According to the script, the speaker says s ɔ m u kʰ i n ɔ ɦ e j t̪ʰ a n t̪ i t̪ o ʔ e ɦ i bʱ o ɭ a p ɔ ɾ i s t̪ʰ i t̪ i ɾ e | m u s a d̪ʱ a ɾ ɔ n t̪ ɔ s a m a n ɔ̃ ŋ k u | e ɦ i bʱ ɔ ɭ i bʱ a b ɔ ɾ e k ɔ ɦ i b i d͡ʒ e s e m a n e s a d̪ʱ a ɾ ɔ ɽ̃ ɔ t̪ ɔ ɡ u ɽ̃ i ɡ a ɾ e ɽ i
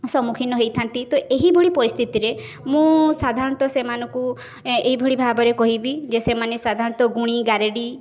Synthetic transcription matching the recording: s ɔ m u kʰ i n ɔ ɦ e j t̪ʰ a n t̪ i t̪ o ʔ e ɦ i bʱ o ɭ i p ɔ ɾ i s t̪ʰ i t̪ i ɾ e | m ũ s a d̪ʱ a ɾ ɔ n t̪ ɔ s e m a n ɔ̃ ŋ k u | e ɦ i bʱ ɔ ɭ i bʱ a b ɔ ɾ e k ɔ ɦ i b i d͡ʒ e s e m a n e s a d̪ʱ a ɾ ɔ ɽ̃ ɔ t̪ ɔ ɡ u ɽ̃ i ɡ a ɾ e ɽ i